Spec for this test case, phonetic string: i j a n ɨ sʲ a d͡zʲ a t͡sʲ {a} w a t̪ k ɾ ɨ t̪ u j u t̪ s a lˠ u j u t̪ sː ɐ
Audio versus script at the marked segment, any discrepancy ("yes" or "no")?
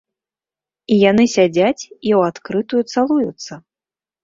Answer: yes